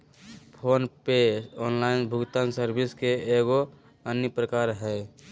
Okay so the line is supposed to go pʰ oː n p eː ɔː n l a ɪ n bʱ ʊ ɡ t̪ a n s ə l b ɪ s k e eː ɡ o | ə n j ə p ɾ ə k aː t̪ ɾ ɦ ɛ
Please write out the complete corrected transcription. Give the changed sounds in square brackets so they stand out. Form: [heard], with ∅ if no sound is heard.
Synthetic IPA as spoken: pʰ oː n p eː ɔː n l a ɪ n bʱ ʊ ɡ t̪ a n s ə [ɾ] b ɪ s k e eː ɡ o | ə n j ə p ɾ ə k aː [∅] ɾ ɦ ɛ

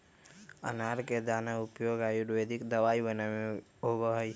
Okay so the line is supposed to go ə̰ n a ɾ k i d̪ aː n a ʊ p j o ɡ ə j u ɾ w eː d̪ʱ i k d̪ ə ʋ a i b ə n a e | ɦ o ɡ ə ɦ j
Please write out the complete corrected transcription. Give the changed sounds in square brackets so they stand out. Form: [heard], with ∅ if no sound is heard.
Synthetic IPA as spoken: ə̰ n a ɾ k [e] d̪ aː n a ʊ p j o ɡ [a] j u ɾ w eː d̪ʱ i k d̪ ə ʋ a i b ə n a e | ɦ o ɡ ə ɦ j

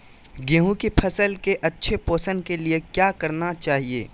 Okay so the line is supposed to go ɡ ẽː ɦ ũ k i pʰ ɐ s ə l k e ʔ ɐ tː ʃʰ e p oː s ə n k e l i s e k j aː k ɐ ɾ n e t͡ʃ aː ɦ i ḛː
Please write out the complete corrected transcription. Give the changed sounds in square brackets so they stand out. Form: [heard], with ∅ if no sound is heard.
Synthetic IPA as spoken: ɡ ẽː ɦ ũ k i pʰ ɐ s ə l k e ʔ ɐ tː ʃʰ e p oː s ə n k e l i [∅] e k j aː k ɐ ɾ n [a] t͡ʃ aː ɦ i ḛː

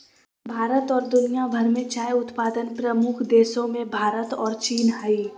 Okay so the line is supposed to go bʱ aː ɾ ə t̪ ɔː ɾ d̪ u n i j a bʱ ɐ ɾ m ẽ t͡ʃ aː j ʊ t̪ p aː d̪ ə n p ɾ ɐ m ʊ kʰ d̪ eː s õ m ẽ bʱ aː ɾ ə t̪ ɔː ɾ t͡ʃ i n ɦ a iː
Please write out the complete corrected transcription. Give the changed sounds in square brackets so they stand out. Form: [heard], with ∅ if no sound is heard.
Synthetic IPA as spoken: bʱ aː ɾ ə t̪ ɔː ɾ d̪ [ʊ] n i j a bʱ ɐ ɾ m ẽ t͡ʃ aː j ʊ t̪ p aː d̪ ə n p ɾ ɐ m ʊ kʰ d̪ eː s õ m ẽ bʱ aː ɾ ə t̪ ɔː ɾ t͡ʃ [iː] n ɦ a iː

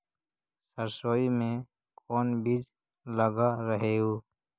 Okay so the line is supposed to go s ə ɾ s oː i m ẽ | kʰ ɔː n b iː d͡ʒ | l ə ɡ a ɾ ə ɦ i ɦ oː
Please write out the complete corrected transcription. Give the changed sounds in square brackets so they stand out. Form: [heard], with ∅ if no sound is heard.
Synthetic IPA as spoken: s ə ɾ s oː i m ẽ | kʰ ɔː n b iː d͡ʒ | l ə ɡ a ɾ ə ɦ [e] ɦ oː

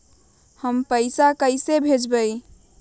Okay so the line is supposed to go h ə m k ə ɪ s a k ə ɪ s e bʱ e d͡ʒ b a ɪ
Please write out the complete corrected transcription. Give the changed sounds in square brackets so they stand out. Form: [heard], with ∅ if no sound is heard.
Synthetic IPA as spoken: h ə m [p] ə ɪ s a k ə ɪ s e bʱ e d͡ʒ b [ə] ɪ

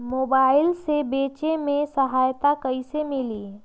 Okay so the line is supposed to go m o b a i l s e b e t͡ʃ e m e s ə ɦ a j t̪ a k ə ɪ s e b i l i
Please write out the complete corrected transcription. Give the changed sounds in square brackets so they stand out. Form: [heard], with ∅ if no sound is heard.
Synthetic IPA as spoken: m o b a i l s e b e t͡ʃ e m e s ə ɦ a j t̪ a k ə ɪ s e [m] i l i

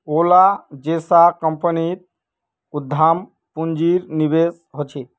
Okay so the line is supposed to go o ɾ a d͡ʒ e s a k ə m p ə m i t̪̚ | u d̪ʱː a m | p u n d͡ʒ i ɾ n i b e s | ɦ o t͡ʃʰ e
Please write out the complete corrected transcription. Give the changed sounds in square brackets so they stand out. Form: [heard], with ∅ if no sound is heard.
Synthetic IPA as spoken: o [l] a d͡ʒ e s a k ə m p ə [n] i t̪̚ | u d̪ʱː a m | p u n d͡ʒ i ɾ n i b e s | ɦ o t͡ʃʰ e

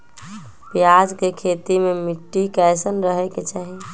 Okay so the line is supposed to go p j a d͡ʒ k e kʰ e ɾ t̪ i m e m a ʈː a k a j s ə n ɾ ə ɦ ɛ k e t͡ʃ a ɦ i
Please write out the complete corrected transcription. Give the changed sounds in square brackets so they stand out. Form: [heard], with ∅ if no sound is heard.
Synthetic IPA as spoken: p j a d͡ʒ k e kʰ e [∅] t̪ i m e m [i] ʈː [i] k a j s ə n ɾ ə ɦ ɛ k e t͡ʃ a ɦ i

